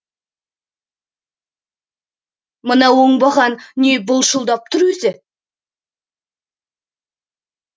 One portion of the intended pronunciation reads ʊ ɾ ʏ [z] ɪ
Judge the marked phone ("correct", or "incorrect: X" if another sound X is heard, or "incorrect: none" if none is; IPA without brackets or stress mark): correct